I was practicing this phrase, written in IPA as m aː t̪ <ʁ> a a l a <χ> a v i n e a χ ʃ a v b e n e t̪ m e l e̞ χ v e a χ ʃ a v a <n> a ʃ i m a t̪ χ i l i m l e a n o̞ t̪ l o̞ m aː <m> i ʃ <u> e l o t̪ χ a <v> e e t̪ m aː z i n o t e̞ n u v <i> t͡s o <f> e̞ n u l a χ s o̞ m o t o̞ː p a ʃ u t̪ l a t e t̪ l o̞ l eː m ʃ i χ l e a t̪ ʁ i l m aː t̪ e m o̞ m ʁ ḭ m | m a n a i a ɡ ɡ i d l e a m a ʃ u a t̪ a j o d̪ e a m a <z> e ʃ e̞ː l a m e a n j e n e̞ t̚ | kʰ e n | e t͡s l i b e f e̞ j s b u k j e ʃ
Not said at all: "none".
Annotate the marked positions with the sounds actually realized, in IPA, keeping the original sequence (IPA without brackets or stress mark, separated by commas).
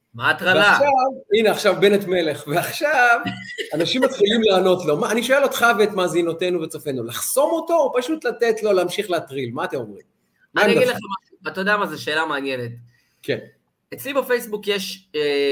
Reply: ʁ, ʃ, n, n, o, v, e, f, z